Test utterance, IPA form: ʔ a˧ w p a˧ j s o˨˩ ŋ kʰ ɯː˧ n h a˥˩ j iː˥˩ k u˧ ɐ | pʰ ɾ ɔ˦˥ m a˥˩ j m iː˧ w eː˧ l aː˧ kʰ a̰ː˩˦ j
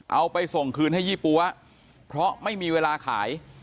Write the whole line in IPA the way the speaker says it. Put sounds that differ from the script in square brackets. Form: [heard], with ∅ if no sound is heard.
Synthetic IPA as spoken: ʔ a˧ w p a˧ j s o˨˩ ŋ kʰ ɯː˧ n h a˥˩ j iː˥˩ [p] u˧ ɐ | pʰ ɾ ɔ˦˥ m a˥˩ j m iː˧ w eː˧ l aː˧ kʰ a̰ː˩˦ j